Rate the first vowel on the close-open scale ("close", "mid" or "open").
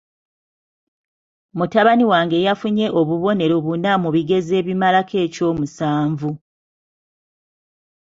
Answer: close